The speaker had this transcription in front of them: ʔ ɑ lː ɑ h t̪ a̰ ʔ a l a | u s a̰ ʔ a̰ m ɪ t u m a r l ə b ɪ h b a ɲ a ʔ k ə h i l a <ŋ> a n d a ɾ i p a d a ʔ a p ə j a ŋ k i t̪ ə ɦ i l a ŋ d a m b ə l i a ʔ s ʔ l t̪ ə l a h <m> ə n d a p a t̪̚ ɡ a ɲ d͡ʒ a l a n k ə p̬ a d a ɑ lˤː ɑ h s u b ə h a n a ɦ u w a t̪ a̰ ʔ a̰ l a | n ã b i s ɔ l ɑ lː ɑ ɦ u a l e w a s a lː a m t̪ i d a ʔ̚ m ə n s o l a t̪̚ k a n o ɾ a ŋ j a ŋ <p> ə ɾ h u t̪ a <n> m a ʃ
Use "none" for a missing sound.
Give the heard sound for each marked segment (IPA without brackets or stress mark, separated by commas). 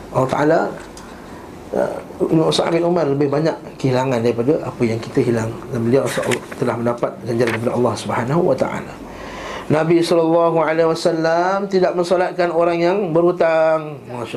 ŋ, m, b, ŋ